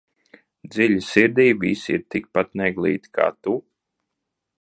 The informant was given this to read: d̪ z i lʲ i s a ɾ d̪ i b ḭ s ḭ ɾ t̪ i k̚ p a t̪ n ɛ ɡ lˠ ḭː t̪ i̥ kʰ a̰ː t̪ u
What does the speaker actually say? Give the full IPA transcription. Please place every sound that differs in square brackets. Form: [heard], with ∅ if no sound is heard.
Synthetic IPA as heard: d̪ z i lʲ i s [i] ɾ d̪ [iː] b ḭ s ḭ ɾ t̪ i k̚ p a t̪ n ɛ ɡ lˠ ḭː t̪ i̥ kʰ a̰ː t̪ u